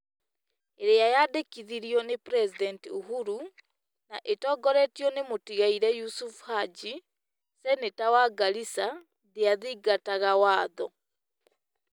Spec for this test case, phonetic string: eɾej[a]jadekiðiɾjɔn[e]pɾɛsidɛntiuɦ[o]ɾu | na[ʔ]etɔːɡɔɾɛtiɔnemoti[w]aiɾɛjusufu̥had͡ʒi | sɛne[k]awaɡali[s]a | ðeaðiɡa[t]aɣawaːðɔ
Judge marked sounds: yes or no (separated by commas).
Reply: yes, yes, no, yes, no, no, yes, yes